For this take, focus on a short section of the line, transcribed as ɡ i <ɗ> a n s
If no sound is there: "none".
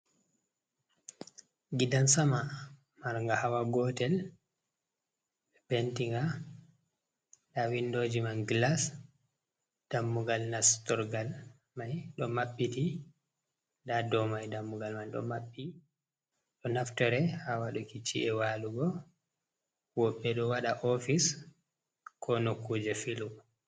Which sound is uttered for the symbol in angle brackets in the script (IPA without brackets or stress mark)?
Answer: d